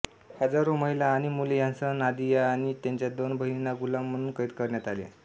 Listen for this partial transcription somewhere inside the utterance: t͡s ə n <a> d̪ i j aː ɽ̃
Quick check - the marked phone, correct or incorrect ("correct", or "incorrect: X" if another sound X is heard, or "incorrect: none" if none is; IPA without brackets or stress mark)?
correct